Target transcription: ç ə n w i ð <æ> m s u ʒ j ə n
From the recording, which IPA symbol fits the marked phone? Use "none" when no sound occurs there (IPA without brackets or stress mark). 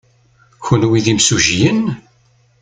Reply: i